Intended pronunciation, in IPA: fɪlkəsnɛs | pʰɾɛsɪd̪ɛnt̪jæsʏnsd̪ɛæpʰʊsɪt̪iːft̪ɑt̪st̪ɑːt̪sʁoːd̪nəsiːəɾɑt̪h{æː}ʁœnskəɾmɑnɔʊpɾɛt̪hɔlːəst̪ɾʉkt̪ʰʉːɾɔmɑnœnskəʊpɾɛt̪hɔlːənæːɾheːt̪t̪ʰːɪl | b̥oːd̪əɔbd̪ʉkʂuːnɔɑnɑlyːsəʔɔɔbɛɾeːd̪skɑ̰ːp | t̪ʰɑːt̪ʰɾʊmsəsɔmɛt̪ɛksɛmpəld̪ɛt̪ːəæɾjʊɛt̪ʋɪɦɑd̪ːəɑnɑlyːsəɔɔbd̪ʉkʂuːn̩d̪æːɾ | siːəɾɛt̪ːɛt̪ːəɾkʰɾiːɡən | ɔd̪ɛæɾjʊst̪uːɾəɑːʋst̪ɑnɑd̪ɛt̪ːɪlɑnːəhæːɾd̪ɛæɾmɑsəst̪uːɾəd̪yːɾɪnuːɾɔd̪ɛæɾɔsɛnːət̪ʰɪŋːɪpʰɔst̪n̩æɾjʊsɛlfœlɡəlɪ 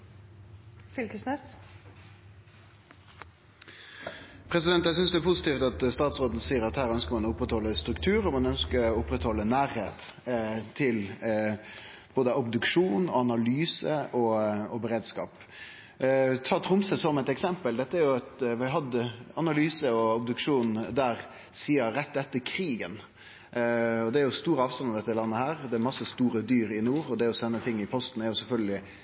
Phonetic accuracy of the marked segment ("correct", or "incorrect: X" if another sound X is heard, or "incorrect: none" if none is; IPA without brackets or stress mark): correct